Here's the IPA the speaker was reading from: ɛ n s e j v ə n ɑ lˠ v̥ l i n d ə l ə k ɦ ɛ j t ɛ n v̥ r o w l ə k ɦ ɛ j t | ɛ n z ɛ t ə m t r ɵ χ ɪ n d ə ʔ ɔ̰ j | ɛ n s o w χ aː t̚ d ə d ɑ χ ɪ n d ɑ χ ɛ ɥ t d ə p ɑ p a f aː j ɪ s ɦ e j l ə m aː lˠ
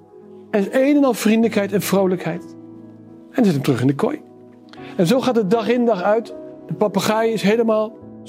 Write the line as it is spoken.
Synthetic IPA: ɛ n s e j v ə n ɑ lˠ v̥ r i n d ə l ə k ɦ ɛ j t ɛ n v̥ r o w l ə k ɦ ɛ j t | ɛ n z ɛ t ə m t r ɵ χ ɪ n d ə k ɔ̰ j | ɛ n z o w χ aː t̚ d ə d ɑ χ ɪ n d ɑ χ œ ɥ t d ə p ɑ p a χ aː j ɪ s ɦ e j l ə m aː lˠ